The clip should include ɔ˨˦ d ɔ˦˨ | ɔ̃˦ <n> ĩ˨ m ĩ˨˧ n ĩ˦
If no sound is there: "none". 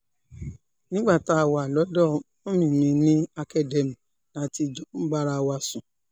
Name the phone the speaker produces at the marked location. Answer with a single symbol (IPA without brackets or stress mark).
m